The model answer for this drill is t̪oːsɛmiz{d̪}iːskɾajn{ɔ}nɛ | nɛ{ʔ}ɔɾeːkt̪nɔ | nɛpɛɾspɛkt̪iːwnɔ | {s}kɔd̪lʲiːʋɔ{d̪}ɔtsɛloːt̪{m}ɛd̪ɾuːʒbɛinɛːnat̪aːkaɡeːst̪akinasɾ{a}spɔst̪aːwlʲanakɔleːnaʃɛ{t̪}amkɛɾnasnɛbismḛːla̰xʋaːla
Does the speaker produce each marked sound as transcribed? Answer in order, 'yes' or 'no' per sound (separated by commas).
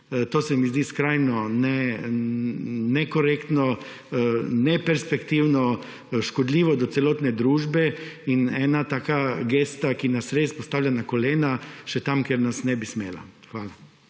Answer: yes, yes, no, no, yes, no, no, yes